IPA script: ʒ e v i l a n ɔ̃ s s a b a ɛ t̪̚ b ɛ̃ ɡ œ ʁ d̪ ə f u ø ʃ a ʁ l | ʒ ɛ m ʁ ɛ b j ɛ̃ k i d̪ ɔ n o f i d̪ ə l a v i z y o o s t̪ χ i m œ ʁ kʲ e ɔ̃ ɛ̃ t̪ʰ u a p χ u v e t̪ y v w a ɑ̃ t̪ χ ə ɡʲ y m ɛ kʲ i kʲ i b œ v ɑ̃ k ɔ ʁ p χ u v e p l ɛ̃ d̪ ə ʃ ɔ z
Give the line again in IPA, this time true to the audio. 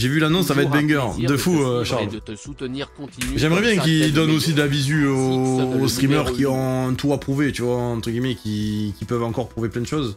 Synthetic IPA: ʒ e v y l a n ɔ̃ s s a v a ɛ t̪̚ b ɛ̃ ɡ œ ʁ d̪ ə f u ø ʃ a ʁ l | ʒ ɛ m ʁ ɛ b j ɛ̃ k i d̪ ɔ n o s i d̪ ə l a v i z y o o s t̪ χ i m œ ʁ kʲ i ɔ̃ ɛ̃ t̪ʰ u a p χ u v e t̪ y v w a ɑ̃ t̪ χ ə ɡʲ i m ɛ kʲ i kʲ i p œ v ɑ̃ k ɔ ʁ p χ u v e p l ɛ̃ d̪ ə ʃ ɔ z

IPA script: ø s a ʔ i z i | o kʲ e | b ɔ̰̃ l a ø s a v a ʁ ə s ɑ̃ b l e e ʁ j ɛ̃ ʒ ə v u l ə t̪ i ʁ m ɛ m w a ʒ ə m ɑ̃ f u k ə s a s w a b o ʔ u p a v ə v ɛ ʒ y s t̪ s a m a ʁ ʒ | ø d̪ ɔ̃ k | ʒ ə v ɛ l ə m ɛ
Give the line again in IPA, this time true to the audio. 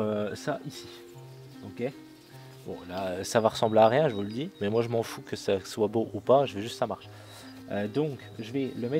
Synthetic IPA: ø s a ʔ i s i | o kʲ e | b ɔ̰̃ l a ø s a v a ʁ ə s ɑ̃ b l e a ʁ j ɛ̃ ʒ ə v u l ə d̪ i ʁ m ɛ m w a ʒ ə m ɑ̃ f u k ə s a s w a b o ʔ u p a ʒ ə v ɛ ʒ y s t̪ s a m a ʁ ʃ | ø d̪ ɔ̃ k | ʒ ə v ɛ l ə m ɛ

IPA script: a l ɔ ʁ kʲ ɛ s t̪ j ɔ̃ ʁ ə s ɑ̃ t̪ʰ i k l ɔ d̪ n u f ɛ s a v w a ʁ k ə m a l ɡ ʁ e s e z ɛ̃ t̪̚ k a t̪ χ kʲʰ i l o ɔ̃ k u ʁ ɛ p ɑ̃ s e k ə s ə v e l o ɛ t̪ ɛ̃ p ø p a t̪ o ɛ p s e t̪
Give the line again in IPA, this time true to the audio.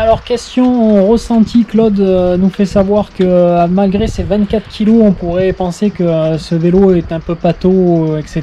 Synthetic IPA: a l ɔ ʁ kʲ ɛ s t̪ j ɔ̃ ʁ ə s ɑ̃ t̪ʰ i k l ɔ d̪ n u f ɛ s a v w a ʁ k ə m a l ɡ ʁ e s e v ɛ̃ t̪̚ k a t̪ χ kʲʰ i l o ɔ̃ p u ʁ ɛ p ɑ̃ s e k ə s ə v e l o ɛ t̪ ɛ̃ p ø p a t̪ o ɛ k s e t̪

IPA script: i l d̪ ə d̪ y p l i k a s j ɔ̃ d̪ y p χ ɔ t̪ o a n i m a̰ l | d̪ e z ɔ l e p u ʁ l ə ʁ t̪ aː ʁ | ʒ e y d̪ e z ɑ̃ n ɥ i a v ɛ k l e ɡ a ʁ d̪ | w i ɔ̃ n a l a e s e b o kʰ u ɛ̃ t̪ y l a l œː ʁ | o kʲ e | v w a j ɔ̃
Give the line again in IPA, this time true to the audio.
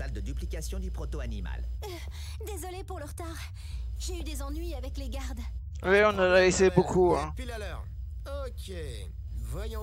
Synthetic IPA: a l d̪ ə d̪ y p l i k a s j ɔ̃ d̪ y p χ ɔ t̪ o a n i m a̰ l | d̪ e z ɔ l e p u ʁ l ə ʁ t̪ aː ʁ | ʒ e y d̪ e z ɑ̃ n ɥ i a v ɛ k l e ɡ a ʁ d̪ | w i ɔ̃ n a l a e s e b o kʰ u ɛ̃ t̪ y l a l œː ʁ | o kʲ e | v w a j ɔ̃

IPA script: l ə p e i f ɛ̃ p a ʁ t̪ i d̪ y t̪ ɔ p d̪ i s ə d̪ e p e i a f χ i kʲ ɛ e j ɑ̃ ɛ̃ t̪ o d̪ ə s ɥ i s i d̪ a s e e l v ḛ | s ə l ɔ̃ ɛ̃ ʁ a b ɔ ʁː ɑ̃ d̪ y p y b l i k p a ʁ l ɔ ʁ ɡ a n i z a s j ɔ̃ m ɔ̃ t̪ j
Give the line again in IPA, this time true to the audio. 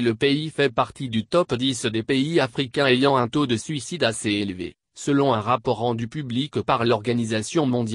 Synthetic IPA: l ə p e i f ɛ p a ʁ t̪ i d̪ y t̪ ɔ p d̪ i s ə d̪ e p e i a f χ i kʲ ɛ̃ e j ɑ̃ ɛ̃ t̪ o d̪ ə s ɥ i s i d̪ a s e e l v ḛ | s ə l ɔ̃ ɛ̃ ʁ a p ɔ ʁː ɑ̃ d̪ y p y b l i k p a ʁ l ɔ ʁ ɡ a n i z a s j ɔ̃ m ɔ̃ d̪ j

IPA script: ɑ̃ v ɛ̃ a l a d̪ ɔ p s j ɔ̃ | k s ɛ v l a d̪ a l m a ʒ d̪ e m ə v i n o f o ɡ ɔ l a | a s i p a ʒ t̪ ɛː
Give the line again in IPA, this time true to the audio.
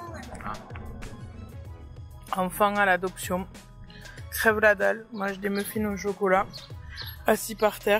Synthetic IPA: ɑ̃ f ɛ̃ a l a d̪ ɔ p s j ɔ̃ | k χ ɛ v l a d̪ a l m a ʒ d̪ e m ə f i n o ʃ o k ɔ l a | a s i p a ʁ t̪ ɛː

